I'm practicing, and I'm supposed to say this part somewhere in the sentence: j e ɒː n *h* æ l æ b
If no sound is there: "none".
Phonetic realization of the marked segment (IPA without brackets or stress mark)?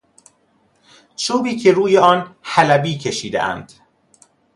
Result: h